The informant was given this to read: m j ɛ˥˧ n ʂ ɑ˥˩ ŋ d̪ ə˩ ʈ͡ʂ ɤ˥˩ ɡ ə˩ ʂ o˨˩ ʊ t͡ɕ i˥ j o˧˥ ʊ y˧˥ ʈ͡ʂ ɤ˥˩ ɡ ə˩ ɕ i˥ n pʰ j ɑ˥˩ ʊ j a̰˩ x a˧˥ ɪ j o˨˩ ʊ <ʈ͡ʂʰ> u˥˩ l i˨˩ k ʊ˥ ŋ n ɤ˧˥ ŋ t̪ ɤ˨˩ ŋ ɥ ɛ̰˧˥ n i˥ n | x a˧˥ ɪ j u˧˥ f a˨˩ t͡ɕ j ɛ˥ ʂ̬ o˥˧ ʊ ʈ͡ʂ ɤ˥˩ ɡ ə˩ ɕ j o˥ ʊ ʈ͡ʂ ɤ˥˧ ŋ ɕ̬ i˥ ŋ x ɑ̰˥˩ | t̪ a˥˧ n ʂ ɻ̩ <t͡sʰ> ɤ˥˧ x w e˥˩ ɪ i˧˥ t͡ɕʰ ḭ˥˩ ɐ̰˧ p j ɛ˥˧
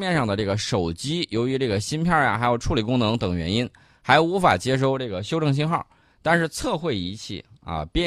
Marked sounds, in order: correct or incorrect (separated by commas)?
correct, correct